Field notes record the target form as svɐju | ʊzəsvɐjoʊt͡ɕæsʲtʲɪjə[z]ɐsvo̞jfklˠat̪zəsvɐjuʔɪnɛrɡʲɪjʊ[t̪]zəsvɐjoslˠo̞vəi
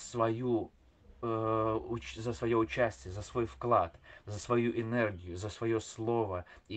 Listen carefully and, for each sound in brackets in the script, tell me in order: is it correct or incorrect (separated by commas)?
correct, incorrect